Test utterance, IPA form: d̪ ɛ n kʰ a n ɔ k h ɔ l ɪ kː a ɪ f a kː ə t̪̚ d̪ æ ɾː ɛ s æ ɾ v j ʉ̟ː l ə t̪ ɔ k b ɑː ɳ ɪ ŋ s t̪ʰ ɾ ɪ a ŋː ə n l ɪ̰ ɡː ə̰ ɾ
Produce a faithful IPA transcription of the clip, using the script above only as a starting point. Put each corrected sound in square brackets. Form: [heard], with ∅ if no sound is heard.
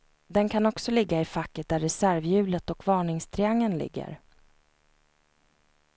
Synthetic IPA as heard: d̪ ɛ n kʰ a n ɔ k [s] ɔ l ɪ [ɡː] a ɪ f a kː ə t̪̚ d̪ æ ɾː ɛ s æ ɾ v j ʉ̟ː l ə t̪ ɔ k [v] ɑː ɳ ɪ ŋ s t̪ʰ ɾ ɪ a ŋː ə n l ɪ̰ ɡː ə̰ ɾ